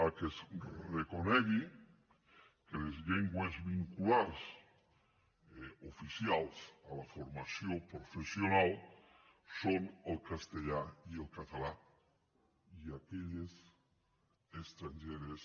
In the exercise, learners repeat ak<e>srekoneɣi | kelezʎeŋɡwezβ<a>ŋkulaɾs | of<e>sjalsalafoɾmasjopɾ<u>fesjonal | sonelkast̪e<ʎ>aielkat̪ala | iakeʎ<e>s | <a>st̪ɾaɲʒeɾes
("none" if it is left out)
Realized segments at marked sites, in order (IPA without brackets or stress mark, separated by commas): e, i, i, o, ʎ, e, e